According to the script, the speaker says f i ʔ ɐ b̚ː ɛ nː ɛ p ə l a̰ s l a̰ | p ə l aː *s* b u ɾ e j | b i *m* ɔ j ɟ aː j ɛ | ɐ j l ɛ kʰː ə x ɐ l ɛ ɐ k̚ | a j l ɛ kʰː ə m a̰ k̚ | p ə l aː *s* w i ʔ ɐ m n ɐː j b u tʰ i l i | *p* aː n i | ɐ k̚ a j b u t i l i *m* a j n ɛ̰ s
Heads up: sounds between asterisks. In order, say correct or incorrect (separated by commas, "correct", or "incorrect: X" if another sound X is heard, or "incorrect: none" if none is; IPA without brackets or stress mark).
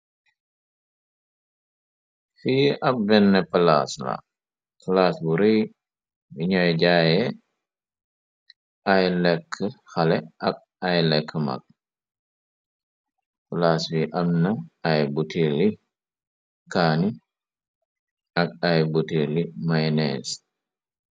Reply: correct, incorrect: ɲ, correct, incorrect: k, correct